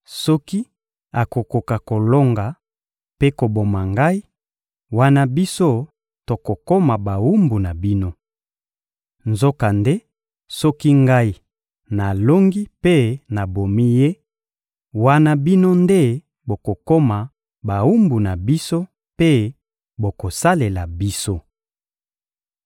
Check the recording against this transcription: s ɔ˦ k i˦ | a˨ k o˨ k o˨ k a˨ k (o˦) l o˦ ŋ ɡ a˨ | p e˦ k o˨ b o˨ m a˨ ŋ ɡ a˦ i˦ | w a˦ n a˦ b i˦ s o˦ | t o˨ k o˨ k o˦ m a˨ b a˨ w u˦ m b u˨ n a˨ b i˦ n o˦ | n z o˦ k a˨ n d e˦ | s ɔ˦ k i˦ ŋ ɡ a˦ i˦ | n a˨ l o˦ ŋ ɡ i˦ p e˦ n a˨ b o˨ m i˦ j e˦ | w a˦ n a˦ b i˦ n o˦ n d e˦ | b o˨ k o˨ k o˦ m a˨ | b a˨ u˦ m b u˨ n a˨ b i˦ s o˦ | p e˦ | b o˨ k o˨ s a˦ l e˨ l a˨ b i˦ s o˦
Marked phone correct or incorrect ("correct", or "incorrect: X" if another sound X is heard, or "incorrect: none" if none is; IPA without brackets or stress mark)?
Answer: incorrect: o˨